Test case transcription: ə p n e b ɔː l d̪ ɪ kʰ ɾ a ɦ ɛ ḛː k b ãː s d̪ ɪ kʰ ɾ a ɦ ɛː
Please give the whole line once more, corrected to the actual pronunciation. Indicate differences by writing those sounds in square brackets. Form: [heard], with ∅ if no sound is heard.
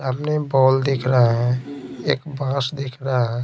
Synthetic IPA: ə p n e b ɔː l d̪ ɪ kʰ ɾ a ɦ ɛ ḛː k b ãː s d̪ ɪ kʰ ɾ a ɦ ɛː